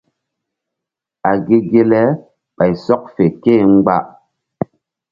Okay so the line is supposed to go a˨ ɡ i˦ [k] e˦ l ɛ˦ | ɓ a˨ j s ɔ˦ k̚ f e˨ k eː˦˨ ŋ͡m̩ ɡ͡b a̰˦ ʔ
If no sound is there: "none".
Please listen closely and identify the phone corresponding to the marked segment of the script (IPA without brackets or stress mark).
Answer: ɡ